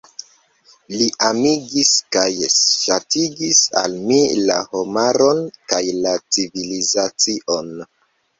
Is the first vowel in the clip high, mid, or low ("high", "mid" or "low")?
high